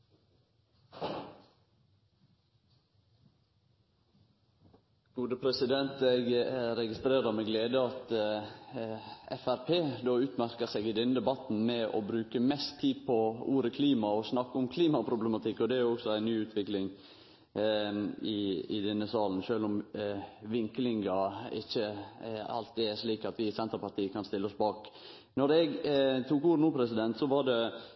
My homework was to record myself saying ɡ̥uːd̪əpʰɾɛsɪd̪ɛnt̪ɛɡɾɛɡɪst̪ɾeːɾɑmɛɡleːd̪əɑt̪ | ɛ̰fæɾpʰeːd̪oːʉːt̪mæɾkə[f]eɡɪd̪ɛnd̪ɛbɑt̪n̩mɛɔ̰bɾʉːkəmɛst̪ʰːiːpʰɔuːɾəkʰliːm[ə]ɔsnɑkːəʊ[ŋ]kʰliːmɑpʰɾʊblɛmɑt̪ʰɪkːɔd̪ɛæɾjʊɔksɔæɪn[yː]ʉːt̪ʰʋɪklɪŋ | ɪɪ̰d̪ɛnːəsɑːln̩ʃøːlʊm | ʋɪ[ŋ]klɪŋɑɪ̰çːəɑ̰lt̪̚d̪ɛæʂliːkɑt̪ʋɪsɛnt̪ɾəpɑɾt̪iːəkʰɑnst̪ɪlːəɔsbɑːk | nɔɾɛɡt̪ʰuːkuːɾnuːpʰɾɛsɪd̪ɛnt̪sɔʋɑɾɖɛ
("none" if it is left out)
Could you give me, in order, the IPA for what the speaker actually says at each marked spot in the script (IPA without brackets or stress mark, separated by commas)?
s, ɑ, m, yː, ŋ